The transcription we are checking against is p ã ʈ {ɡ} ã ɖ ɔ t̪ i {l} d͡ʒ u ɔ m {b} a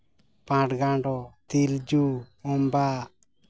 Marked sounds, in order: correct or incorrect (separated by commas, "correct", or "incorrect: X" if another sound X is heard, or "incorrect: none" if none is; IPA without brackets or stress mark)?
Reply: correct, correct, correct